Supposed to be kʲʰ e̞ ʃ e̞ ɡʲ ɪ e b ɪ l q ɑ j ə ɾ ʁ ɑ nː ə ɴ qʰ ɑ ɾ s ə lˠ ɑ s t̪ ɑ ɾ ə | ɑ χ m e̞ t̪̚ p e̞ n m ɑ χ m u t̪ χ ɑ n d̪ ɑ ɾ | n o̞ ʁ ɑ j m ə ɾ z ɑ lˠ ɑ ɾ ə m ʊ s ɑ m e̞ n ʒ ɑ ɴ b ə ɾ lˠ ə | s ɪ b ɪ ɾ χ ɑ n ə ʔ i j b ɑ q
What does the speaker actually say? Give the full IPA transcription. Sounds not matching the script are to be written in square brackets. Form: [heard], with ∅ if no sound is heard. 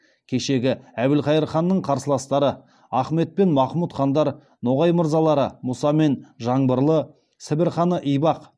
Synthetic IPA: kʲʰ e̞ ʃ e̞ ɡʲ ɪ [æ] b ɪ l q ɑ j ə ɾ [χ] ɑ nː ə ɴ qʰ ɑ ɾ s ə lˠ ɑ s t̪ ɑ ɾ ə | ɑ χ m e̞ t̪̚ p e̞ n m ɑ χ m u t̪ χ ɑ n d̪ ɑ ɾ | n o̞ ʁ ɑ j m ə ɾ z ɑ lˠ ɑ ɾ ə m ʊ s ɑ m e̞ n ʒ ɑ ɴ b ə ɾ lˠ ə | s ɪ b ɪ ɾ χ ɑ n ə ʔ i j b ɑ q